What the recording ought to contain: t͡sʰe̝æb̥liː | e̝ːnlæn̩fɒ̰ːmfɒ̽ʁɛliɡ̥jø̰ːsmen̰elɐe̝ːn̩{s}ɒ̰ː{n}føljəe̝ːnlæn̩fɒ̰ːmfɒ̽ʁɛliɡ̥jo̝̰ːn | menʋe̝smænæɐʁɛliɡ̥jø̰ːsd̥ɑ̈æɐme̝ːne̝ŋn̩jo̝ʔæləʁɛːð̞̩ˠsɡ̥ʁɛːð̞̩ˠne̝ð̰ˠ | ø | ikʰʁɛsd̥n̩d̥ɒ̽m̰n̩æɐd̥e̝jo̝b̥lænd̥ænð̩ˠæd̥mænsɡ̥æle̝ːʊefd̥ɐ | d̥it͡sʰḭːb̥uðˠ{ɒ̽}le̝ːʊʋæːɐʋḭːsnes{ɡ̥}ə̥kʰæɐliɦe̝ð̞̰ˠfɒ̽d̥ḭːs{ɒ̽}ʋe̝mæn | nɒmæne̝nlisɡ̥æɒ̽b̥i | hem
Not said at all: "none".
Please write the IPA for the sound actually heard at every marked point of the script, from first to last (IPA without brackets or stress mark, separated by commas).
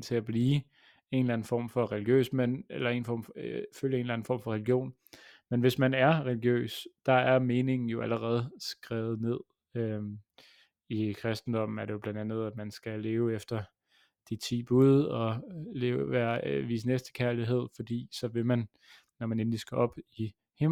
f, m, ɒ̽, d̥, ɒ̽